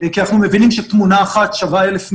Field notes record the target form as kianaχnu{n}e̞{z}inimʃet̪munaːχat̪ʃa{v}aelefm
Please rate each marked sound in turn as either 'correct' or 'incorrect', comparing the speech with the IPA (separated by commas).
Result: incorrect, incorrect, correct